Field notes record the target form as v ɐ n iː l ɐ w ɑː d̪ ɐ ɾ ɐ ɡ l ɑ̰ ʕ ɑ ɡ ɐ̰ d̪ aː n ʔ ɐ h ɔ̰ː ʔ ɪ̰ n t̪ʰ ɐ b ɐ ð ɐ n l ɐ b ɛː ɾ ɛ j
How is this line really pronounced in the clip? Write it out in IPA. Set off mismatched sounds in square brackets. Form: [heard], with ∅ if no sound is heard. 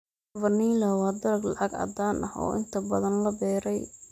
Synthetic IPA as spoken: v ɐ n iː l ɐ w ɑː d̪ ɐ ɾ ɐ ɡ l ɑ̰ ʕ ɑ ɡ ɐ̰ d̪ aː n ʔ ɐ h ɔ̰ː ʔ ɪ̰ n t̪ʰ ɐ b ɐ ð ɐ n l ɐ b ɛː ɾ ɛ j